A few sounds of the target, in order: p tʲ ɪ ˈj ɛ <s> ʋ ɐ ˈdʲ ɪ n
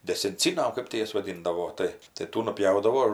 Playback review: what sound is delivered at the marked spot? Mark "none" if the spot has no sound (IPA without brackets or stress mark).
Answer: s